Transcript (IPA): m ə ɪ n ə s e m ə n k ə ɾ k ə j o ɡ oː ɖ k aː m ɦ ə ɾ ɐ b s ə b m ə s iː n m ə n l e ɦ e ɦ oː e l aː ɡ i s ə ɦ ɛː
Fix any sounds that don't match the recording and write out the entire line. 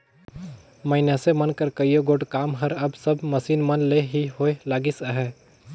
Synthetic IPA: m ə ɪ n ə s e m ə n k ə ɾ k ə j o ɡ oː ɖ k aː m ɦ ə ɾ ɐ b s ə b m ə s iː n m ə n l e ɦ i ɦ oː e l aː ɡ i s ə ɦ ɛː